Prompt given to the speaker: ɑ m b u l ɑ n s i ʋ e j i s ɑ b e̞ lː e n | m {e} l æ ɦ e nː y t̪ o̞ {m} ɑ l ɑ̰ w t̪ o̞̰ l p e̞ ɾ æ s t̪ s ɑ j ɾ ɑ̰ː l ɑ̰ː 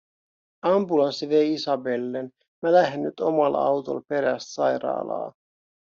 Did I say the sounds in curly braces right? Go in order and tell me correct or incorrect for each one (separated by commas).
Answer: incorrect, correct